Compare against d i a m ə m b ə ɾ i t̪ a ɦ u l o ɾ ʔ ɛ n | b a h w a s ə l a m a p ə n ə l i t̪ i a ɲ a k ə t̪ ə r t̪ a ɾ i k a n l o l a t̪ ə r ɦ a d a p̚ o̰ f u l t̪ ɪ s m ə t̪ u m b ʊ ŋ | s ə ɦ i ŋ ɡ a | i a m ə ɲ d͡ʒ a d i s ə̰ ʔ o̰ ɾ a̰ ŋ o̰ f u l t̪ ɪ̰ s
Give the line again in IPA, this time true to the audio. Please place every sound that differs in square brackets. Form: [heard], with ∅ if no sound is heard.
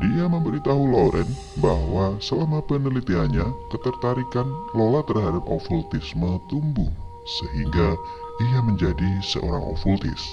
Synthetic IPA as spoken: d i a m ə m b ə ɾ i t̪ a ɦ u l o ɾ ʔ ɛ n | b a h w a s ə l a m a p ə n ə l i t̪ i a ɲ a k ə t̪ ə r t̪ a ɾ i k a n l o l a t̪ ə r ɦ a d a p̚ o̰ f u l t̪ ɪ s m ə t̪ u m b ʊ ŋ | s ə ɦ i ŋ ɡ a | i a m ə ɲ d͡ʒ a d i s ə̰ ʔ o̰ ɾ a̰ ŋ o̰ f u l t̪ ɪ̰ s

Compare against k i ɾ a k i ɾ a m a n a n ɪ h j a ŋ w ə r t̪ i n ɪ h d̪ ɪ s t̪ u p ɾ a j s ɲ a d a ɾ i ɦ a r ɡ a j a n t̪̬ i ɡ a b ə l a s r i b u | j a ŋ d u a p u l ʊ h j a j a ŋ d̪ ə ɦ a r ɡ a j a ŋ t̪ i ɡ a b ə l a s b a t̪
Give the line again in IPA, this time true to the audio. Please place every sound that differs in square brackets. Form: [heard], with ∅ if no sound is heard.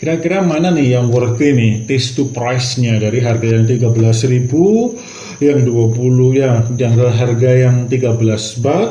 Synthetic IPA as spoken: k i ɾ a k i ɾ a m a n a n ɪ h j a ŋ w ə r t̪ i n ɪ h [t̪] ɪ s t̪ u p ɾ a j s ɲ a d a ɾ i ɦ a r ɡ a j a [ŋ] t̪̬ i ɡ a b ə l a s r i b u | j a ŋ d u a p u l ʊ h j a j a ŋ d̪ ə ɦ a r ɡ a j a ŋ t̪ i ɡ a b ə l a s b a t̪

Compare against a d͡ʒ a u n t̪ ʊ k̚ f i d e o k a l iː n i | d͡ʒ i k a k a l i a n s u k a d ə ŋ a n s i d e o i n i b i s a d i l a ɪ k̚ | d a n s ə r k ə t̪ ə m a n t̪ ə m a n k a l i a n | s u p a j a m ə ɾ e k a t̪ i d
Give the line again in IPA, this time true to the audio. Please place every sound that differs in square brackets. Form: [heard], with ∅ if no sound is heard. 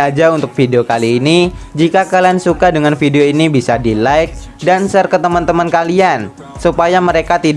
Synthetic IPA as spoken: a d͡ʒ a u n t̪ ʊ k̚ f i d e o k a l iː n i | d͡ʒ i k a k a l i a n s u k a d ə ŋ a n [f] i d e o i n i b i s a d i l a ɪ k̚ | d a n s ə r k ə t̪ ə m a n t̪ ə m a n k a l i a n | s u p a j a m ə ɾ e k a t̪ i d

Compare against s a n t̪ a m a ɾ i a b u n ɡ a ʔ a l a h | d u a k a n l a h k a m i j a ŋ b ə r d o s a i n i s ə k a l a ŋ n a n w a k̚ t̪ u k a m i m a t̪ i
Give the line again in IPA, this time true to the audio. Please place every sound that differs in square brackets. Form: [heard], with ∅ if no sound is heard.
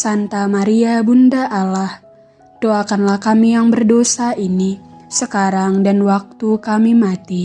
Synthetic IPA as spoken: s a n t̪ a m a ɾ i a b u n [d] a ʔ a l a h | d [o] a k a n l a h k a m i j a ŋ b ə r d o s a i n i s ə k a [ɾ] a ŋ [d] a n w a k̚ t̪ u k a m i m a t̪ i

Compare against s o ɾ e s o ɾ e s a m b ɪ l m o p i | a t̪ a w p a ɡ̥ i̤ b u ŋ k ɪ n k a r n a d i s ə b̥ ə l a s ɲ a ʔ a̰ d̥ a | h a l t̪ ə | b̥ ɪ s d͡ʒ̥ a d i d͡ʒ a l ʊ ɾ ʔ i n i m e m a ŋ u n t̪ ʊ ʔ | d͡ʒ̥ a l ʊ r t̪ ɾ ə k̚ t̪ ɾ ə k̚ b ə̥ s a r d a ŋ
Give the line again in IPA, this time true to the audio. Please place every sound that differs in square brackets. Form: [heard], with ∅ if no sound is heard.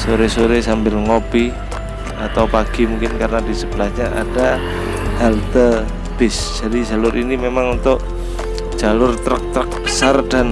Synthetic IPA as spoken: s o ɾ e s o ɾ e s a m b ɪ l [ŋ] o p i | a t̪ a w p a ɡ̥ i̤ [m] u ŋ k ɪ n k a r n a d i s ə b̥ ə l a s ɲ a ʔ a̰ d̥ a | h a l t̪ ə | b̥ ɪ s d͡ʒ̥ a d i d͡ʒ a l ʊ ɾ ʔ i n i m e m a ŋ u n t̪ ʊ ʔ | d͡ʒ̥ a l ʊ r t̪ ɾ ə k̚ t̪ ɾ ə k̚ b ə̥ s a r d a [n]

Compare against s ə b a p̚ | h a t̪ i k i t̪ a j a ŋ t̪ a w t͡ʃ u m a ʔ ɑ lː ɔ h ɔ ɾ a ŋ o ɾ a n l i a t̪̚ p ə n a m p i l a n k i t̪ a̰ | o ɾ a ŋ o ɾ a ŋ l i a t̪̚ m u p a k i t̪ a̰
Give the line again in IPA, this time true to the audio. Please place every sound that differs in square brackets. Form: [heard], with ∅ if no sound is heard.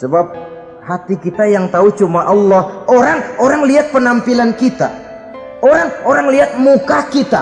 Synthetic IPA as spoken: s ə b a p̚ | h a t̪ i k i t̪ a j a ŋ t̪ a [u] t͡ʃ u m a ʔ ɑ lː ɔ h [o] ɾ a ŋ o ɾ a [ŋ] l i a t̪̚ p ə n a m p i l a n k i t̪ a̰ | o ɾ a ŋ o ɾ a ŋ l i a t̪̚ m u [k] a k i t̪ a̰

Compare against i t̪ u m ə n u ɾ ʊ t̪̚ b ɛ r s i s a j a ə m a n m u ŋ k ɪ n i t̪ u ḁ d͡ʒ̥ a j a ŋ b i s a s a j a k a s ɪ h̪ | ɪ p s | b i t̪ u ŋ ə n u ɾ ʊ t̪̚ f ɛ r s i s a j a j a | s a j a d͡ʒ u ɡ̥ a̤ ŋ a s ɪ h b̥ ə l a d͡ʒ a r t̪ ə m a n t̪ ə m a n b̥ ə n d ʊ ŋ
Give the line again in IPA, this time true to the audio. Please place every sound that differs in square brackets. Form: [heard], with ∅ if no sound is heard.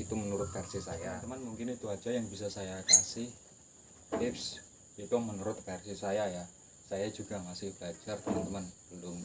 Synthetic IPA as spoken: i t̪ u m ə n u ɾ ʊ t̪̚ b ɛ r s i s a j a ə m a n m u ŋ k ɪ n i t̪ u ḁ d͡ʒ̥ a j a ŋ b i s a s a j a k a s ɪ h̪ | ɪ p s | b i t̪ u [m] ə n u ɾ ʊ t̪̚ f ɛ r s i s a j a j a | s a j a d͡ʒ u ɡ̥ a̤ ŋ a s ɪ h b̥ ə l a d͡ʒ a r t̪ ə m a n t̪ ə m a n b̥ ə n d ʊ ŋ

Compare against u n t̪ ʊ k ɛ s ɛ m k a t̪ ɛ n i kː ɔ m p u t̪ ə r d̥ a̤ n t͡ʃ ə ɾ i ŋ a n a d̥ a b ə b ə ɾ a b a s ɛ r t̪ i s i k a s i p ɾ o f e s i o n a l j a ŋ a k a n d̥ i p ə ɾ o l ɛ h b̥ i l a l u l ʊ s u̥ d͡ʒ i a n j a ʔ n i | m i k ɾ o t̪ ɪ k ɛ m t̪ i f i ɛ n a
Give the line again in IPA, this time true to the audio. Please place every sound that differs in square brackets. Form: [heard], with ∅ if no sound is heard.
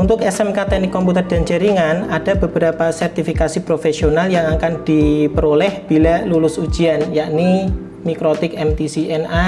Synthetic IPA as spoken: u n t̪ ʊ k ɛ s ɛ m k a t̪ ɛ n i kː ɔ m p u t̪ ə r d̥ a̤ n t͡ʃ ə ɾ i ŋ a n a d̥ a b ə b ə ɾ a [p] a s ɛ r t̪ i [f] i k a s i p ɾ o f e s i o n a l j a ŋ a k a n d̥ i p ə ɾ o l ɛ h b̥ i l a l u l ʊ s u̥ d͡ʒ i a n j a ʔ n i | m i k ɾ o t̪ ɪ k ɛ m t̪ i [s] i ɛ n a

